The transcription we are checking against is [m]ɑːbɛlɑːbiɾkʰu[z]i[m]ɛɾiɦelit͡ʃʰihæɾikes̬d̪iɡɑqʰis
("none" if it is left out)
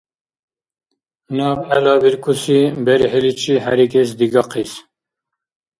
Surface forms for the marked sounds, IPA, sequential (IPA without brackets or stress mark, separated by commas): n, s, b